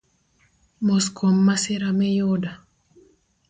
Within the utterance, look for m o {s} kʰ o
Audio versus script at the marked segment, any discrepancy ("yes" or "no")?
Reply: no